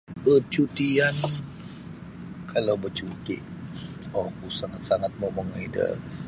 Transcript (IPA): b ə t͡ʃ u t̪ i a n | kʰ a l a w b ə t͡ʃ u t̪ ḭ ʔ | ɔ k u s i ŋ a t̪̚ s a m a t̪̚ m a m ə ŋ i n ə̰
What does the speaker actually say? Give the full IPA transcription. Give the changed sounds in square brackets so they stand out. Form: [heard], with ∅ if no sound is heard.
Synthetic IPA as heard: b ə t͡ʃ u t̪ i a n | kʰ a l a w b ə t͡ʃ u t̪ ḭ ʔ | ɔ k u s [a] ŋ a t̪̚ s a [ŋ] a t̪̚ m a m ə ŋ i [d] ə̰